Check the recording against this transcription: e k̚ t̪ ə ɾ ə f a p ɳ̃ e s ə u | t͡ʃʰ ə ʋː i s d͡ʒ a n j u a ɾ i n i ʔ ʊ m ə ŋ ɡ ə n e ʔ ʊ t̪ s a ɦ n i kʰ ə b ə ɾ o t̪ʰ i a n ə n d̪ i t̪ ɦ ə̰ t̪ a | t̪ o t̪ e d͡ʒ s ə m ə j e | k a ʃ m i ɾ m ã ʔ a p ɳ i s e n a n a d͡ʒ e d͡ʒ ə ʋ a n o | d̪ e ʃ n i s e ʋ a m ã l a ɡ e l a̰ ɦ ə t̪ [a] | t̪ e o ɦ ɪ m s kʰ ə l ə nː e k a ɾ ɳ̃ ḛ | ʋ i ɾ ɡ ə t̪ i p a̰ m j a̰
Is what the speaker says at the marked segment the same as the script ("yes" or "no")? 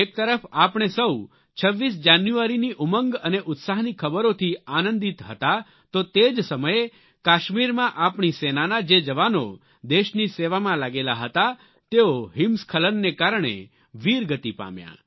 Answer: yes